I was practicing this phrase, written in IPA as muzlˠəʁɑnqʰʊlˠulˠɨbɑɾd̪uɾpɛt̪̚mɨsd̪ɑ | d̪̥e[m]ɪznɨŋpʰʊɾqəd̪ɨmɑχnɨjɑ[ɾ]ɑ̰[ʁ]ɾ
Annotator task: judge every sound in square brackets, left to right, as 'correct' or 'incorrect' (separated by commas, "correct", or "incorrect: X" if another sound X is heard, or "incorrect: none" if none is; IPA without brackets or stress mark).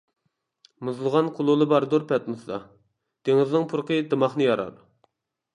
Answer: incorrect: ŋ, correct, incorrect: none